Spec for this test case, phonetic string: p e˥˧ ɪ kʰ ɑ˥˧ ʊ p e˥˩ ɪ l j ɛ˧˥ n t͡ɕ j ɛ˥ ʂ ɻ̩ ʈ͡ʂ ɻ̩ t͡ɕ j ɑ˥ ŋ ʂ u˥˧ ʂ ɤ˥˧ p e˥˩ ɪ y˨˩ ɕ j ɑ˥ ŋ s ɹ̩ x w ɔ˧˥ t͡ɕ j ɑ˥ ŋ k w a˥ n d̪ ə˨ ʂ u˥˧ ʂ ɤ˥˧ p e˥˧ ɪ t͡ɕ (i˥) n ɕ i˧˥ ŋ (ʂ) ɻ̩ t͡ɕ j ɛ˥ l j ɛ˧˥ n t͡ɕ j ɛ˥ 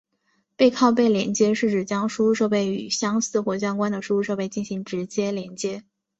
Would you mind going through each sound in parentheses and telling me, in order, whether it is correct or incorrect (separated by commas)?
incorrect, incorrect